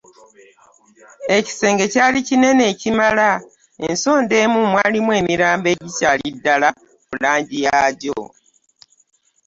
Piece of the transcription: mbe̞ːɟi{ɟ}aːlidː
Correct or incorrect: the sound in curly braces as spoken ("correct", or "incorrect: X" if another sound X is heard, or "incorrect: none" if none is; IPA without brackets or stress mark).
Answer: incorrect: c